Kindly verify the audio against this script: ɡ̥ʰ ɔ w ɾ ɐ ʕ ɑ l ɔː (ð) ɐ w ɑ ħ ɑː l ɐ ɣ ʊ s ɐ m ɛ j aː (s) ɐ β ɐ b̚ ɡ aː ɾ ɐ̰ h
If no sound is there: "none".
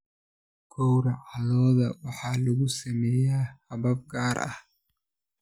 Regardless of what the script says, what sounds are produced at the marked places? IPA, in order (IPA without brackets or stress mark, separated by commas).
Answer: ð, h